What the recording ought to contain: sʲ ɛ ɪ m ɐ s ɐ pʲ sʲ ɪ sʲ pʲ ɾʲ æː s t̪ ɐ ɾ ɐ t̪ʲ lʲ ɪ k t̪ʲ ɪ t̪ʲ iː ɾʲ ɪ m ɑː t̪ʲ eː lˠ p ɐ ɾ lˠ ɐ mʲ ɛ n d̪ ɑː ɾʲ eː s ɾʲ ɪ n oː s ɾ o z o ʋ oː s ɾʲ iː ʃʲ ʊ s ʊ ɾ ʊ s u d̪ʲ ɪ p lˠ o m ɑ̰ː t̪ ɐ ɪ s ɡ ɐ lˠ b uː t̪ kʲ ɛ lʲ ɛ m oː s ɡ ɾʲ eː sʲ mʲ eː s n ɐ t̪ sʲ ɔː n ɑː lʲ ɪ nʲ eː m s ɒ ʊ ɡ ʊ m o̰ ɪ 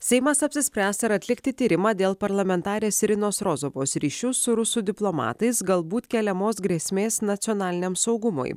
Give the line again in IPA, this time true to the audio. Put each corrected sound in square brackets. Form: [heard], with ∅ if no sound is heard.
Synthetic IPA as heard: sʲ ɛ ɪ m ɐ s ɐ pʲ sʲ ɪ sʲ pʲ ɾʲ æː s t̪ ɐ ɾ ɐ t̪ʲ lʲ ɪ k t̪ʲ ɪ t̪ʲ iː ɾʲ ɪ m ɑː [d̪ʲ] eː lˠ p ɐ ɾ lˠ ɐ mʲ ɛ n [t̪] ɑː ɾʲ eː s ɾʲ ɪ n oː s ɾ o z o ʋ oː s ɾʲ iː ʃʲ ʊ s ʊ ɾ ʊ s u d̪ʲ ɪ p lˠ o m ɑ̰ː t̪ ɐ ɪ s ɡ ɐ lˠ b uː t̪ kʲ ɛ lʲ ɛ m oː s ɡ ɾʲ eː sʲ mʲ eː s n ɐ t̪ sʲ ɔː n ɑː lʲ ɪ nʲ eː m s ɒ ʊ ɡ ʊ m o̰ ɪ